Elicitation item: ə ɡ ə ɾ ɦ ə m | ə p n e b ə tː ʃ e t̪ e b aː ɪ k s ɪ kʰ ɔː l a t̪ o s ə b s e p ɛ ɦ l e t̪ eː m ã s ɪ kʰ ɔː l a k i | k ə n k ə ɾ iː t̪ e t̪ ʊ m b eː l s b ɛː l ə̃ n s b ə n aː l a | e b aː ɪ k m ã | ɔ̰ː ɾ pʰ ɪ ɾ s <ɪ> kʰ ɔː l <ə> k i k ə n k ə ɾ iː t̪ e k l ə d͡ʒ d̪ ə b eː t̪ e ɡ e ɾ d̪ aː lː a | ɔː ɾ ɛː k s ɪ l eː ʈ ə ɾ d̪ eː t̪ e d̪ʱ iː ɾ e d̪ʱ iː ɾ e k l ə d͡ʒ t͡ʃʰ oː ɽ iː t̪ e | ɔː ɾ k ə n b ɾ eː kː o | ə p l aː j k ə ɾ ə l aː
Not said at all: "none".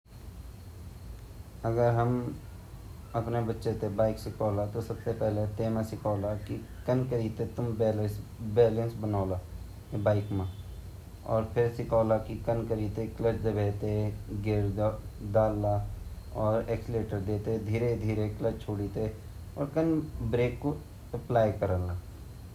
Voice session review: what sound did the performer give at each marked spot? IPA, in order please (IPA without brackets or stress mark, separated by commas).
ɪ, a